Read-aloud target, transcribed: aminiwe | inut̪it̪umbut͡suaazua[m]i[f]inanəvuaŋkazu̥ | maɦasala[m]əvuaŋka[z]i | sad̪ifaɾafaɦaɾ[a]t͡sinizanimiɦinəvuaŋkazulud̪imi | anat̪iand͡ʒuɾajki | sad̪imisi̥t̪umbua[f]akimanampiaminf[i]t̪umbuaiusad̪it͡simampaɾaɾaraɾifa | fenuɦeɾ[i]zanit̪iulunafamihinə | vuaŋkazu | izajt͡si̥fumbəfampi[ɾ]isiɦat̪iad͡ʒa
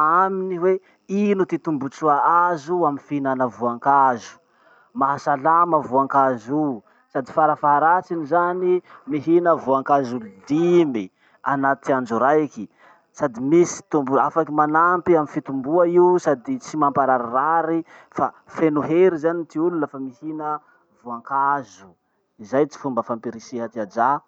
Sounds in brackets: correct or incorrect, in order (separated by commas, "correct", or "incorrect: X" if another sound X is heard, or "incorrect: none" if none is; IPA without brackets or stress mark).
correct, correct, correct, correct, correct, correct, correct, correct, correct